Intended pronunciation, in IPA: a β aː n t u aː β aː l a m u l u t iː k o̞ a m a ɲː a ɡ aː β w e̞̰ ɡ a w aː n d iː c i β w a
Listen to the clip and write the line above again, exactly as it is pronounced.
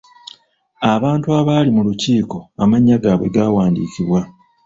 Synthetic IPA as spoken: a β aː n t u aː β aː l i m u l u c iː k o̞ a m a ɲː a ɡ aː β w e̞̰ ɡ a w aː n d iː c i β w a